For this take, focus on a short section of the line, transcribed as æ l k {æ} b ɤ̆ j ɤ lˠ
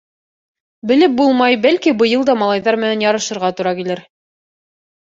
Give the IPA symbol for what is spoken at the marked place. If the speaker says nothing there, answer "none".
i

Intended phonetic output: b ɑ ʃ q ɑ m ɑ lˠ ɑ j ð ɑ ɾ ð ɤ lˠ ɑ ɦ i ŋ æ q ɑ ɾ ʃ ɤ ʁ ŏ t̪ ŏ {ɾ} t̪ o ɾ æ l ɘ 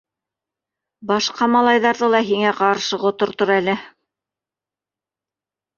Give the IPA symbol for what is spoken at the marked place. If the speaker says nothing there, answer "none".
ɾ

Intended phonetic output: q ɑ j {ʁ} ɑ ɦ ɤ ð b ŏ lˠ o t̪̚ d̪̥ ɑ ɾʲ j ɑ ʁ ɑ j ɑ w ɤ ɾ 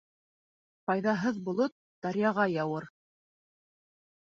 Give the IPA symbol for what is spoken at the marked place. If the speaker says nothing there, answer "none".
ð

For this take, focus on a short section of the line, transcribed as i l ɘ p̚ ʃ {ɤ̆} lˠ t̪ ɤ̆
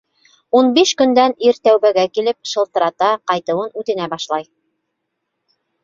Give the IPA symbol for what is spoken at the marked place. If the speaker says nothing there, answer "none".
ɤ̆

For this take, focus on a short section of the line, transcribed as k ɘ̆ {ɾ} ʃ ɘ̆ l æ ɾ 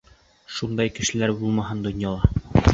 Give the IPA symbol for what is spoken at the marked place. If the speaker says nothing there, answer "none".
none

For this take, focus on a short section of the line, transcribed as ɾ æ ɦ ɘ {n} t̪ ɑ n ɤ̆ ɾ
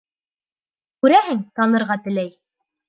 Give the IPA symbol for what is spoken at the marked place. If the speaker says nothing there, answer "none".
ŋ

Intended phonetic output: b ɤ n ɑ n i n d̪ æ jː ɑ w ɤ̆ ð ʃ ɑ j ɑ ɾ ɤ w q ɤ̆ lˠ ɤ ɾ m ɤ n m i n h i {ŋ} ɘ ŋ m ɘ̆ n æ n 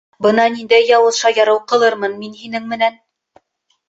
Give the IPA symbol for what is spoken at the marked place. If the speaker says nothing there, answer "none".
n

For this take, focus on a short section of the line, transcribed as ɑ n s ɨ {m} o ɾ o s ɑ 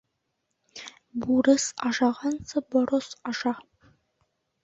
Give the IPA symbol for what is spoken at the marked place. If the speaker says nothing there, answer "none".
b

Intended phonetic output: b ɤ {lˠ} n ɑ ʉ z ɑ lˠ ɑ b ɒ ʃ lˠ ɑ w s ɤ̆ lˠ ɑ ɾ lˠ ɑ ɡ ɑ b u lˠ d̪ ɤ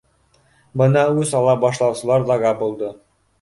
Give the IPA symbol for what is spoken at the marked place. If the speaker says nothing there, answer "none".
none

